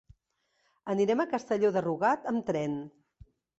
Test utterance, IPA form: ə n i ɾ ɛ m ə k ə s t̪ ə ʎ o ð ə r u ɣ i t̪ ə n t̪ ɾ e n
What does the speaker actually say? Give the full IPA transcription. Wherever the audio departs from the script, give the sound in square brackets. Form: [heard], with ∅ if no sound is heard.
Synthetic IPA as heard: ə n i ɾ ɛ m ə k ə s t̪ ə ʎ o ð ə r u ɣ [a] t̪ ə [m] t̪ ɾ [ɛ] n